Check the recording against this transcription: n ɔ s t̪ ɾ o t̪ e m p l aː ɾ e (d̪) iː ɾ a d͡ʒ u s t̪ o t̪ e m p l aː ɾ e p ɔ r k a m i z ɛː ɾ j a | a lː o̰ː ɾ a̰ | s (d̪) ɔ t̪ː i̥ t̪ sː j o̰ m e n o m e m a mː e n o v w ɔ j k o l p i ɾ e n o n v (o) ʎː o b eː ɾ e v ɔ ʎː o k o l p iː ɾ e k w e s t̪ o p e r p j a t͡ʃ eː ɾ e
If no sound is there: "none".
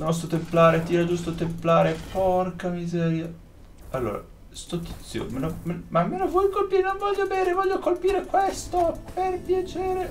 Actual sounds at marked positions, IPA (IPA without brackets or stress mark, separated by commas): t̪, t̪, ɔ